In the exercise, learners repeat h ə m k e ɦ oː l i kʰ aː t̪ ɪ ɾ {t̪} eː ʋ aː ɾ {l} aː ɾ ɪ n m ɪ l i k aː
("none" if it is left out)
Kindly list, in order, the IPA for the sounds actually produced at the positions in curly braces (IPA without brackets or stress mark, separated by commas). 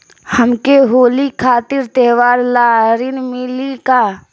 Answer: t̪, l